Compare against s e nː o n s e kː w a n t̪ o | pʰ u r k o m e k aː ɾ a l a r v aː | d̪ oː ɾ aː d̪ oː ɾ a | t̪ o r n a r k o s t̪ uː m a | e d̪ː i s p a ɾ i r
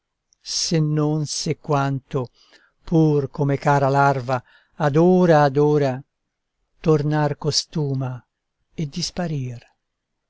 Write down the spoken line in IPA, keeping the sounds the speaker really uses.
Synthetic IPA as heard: s e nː o n s e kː w a n t̪ o | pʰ u r k o m e k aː ɾ a l a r v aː | d̪ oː ɾ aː d̪ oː ɾ a | t̪ o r n a r k o s t̪ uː m a | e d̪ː i s p a ɾ i r

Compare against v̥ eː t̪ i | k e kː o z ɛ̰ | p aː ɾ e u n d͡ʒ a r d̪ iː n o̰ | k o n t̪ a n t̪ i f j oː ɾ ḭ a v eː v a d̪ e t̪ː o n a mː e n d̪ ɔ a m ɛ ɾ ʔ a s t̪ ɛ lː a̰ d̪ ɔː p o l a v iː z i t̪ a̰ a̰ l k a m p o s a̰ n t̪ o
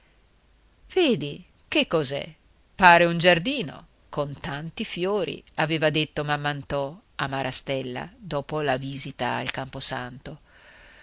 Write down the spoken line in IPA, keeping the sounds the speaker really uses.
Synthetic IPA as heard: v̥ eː d̪ i | k e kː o z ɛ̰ | p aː ɾ e u n d͡ʒ a r d̪ iː n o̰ | k o n t̪ a n t̪ i f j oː ɾ ḭ a v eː v a d̪ e t̪ː o m a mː a n t̪ ɔ a m a ɾ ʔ a s t̪ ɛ lː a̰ d̪ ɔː p o l a v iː z i t̪ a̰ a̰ l k a m p o s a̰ n t̪ o

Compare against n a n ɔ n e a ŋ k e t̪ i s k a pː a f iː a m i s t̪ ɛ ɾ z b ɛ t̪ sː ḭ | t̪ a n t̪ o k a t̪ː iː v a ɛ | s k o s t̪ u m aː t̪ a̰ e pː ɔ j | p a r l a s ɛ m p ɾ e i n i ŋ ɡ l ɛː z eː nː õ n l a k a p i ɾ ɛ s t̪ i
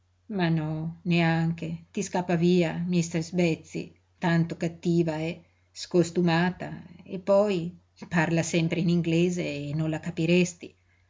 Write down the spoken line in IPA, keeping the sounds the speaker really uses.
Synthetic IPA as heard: m a n ɔ n e a ŋ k e t̪ i s k a pː a v iː a m i s t̪ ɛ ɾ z b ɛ t̪ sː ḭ | t̪ a n t̪ o k a t̪ː iː v a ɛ | s k o s t̪ u m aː t̪ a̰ e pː ɔ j | p a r l a s ɛ m p ɾ e i n i ŋ ɡ l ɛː z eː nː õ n l a k a p i ɾ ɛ s t̪ i

